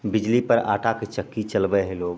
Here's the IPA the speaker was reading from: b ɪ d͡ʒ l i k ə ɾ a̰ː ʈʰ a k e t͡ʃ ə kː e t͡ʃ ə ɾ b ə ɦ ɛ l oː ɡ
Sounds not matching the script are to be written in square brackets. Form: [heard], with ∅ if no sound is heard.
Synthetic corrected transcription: b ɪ d͡ʒ l i [p] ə ɾ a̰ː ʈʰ a k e t͡ʃ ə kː [i] t͡ʃ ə [l] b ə ɦ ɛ l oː ɡ